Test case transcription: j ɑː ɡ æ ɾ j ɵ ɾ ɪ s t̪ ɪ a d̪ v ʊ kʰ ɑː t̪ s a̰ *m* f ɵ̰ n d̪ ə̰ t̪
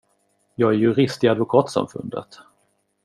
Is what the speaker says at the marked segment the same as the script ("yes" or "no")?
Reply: yes